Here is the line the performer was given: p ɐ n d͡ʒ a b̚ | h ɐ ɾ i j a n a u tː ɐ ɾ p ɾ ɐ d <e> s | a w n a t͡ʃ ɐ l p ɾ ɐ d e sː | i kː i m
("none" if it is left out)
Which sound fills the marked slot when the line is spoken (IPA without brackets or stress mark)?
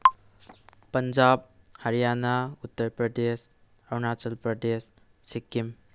e